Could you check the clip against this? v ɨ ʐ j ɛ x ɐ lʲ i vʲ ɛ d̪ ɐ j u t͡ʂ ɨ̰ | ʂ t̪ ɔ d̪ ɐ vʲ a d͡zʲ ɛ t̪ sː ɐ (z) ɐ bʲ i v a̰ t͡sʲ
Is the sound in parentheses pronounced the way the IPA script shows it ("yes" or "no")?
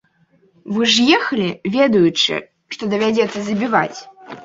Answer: yes